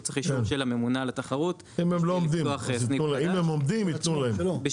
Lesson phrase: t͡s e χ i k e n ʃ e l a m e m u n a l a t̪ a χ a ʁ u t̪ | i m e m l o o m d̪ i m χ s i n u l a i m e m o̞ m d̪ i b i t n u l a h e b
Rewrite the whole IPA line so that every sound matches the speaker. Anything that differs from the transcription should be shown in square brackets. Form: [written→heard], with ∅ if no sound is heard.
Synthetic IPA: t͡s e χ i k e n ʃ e l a m e m u n a l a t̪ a χ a ʁ u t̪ | i m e m l o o m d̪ i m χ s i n u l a i m e m o̞ m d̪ i [b→m] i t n u l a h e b